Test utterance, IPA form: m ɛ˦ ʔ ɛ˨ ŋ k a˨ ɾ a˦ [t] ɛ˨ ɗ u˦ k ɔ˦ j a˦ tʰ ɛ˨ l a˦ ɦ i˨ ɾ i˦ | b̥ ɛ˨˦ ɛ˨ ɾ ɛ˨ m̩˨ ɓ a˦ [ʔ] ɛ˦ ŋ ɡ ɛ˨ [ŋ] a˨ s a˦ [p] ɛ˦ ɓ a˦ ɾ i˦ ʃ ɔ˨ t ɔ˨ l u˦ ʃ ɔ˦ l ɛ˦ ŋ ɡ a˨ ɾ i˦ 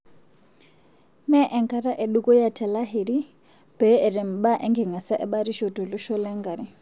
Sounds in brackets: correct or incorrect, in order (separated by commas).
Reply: incorrect, correct, correct, incorrect